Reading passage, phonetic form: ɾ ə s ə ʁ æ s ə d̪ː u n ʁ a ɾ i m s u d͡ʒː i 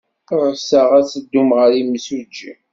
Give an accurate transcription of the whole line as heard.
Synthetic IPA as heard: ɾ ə s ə ʁ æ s ə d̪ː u m ʁ ə ɾ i m s u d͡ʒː i